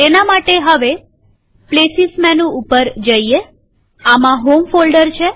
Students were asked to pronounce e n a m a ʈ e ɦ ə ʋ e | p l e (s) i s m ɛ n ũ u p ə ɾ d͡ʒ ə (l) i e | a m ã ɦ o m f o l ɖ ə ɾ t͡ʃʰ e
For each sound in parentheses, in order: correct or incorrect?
correct, incorrect

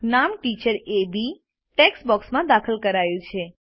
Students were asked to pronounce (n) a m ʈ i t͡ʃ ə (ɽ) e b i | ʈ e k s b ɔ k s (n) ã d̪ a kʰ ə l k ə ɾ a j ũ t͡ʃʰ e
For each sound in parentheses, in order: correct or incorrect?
correct, incorrect, incorrect

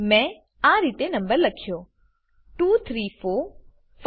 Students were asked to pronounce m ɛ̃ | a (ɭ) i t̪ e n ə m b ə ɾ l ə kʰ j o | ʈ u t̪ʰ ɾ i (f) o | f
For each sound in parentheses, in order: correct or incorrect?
incorrect, correct

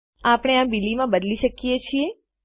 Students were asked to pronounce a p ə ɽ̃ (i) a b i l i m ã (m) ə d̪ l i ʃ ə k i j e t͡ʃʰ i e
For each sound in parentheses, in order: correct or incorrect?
incorrect, incorrect

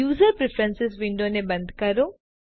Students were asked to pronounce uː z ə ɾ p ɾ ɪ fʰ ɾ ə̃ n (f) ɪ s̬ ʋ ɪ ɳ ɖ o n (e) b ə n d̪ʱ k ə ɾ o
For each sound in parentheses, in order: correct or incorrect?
incorrect, correct

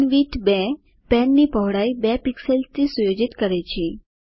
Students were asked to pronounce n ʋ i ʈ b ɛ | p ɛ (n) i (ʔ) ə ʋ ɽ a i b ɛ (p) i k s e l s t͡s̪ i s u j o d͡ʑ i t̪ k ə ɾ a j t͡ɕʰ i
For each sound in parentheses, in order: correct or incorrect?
incorrect, incorrect, correct

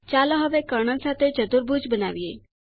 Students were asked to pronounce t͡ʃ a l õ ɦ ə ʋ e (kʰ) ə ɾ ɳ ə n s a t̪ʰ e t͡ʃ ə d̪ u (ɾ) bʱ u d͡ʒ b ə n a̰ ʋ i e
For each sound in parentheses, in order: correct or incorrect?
incorrect, correct

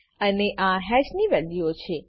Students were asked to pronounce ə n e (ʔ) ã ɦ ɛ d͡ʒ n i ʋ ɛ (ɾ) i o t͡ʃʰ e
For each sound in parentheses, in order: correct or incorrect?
correct, incorrect

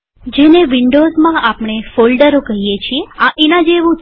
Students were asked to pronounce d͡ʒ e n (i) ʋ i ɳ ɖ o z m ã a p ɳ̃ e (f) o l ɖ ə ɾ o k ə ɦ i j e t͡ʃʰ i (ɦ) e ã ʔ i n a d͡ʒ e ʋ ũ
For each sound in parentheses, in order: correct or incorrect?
incorrect, correct, incorrect

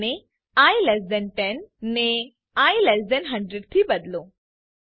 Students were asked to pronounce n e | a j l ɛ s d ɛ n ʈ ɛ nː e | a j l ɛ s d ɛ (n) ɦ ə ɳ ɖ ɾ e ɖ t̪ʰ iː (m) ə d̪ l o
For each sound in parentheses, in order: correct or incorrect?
correct, incorrect

